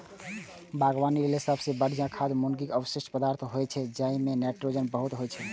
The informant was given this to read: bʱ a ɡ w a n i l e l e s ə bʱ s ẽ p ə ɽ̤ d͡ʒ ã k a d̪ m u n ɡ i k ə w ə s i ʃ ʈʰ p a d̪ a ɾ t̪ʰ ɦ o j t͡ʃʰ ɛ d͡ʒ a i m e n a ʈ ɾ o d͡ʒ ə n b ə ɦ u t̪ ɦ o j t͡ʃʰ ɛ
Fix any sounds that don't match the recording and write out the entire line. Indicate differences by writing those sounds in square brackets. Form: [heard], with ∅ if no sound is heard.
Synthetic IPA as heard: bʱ a ɡ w a n i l e l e s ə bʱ s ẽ [b] ə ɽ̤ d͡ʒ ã [kʰ] a d̪ m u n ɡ i k ə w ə s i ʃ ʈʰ p [ə] d̪ a ɾ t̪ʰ ɦ o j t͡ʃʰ ɛ d͡ʒ a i m e n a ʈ ɾ o d͡ʒ ə n b ə ɦ u t̪ ɦ o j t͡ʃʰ ɛ